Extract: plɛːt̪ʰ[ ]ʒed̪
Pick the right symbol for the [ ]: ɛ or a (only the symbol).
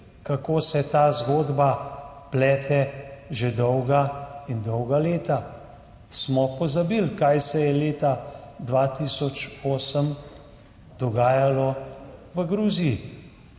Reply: ɛ